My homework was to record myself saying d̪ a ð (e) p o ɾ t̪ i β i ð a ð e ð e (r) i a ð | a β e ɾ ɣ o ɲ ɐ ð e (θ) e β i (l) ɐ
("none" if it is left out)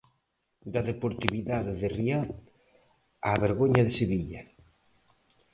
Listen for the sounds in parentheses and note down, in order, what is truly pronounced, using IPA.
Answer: e, r, s, ʎ

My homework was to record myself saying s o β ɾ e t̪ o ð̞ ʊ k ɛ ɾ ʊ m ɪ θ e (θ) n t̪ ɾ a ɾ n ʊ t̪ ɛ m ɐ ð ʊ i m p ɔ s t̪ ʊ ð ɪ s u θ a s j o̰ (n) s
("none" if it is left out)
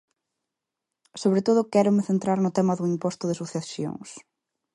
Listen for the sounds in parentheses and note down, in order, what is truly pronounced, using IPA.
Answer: none, ŋ

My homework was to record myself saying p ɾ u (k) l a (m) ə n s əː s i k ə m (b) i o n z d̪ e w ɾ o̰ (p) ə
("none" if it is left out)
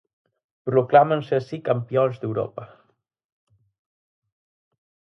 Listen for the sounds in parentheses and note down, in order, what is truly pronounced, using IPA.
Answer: k, m, p, p

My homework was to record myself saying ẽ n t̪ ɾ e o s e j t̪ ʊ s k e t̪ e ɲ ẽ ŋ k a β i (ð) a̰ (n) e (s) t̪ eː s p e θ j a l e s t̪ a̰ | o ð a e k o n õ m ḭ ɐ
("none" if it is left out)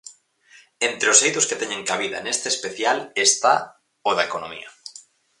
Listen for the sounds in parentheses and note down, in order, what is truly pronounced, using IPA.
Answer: ð, n, s

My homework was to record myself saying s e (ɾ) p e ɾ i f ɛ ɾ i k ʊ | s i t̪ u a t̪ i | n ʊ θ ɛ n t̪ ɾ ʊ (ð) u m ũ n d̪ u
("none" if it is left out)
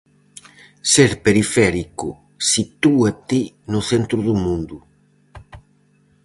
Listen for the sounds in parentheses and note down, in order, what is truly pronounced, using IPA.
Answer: ɾ, ð

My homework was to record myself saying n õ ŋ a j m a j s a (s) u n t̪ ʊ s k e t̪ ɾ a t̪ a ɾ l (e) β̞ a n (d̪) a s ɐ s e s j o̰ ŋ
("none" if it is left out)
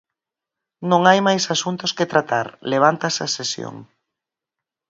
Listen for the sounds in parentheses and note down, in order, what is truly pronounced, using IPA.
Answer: s, e, t̪

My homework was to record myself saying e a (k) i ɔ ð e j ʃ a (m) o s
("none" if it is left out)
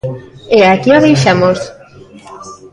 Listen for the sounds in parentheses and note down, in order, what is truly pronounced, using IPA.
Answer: k, m

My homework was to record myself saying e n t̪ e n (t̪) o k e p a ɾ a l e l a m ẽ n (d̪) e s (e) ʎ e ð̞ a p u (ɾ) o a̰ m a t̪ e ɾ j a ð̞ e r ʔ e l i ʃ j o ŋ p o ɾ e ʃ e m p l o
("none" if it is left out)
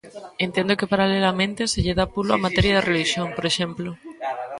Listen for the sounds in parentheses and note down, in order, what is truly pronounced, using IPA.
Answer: d̪, t̪, e, l

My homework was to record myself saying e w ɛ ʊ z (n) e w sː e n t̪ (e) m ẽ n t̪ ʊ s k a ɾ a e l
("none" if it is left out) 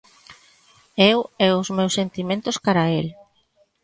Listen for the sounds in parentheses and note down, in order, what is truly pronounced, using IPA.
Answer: m, i

